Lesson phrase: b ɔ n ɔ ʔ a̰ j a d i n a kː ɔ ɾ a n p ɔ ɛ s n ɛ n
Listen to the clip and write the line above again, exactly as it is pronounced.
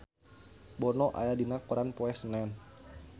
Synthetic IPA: b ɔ n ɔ ʔ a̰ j a d i n a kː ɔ ɾ a n p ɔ ɛ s n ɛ n